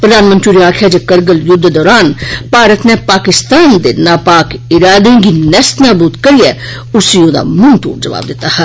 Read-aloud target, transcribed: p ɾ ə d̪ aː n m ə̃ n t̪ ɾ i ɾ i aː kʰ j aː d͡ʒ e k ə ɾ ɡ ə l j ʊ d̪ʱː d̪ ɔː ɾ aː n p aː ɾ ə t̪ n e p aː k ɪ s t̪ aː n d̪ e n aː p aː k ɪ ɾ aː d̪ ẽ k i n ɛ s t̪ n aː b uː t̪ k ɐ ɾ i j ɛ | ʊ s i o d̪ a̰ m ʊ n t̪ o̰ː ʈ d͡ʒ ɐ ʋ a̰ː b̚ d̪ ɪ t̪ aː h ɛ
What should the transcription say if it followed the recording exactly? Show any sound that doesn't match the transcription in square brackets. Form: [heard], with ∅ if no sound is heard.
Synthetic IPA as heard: p ɾ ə d̪ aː n m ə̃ n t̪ ɾ i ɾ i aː kʰ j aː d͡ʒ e k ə ɾ ɡ ə l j ʊ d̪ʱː d̪ ɔː ɾ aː n p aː ɾ ə t̪ n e p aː k ɪ s t̪ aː n d̪ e n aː p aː k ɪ ɾ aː d̪ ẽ [ɡ] i n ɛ s t̪ n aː b uː t̪ k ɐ ɾ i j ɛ | ʊ s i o d̪ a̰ m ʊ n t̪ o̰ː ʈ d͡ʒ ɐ ʋ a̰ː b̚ d̪ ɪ t̪ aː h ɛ